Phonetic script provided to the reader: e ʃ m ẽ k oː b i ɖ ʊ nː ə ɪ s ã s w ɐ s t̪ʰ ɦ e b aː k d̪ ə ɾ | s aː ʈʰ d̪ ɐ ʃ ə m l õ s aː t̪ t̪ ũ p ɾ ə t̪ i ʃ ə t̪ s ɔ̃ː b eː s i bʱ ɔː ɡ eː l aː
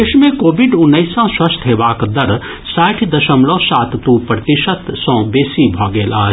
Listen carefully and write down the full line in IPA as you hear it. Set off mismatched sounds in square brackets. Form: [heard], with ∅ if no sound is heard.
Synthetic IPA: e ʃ m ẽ k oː b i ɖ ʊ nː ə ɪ s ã s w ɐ s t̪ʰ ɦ e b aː k d̪ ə ɾ | s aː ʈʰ d̪ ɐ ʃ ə m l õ s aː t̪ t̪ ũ p ɾ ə t̪ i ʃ ə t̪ s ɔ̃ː b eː s i bʱ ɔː ɡ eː l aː